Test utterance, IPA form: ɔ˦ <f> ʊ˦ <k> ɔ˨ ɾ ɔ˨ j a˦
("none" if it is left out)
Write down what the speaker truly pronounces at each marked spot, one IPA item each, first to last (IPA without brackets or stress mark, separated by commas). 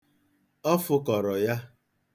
f, k